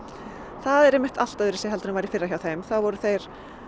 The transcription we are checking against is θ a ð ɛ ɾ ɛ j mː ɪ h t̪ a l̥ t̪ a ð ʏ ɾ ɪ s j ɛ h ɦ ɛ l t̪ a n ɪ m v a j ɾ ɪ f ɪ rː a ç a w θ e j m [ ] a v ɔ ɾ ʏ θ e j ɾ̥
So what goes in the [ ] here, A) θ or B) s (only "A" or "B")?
A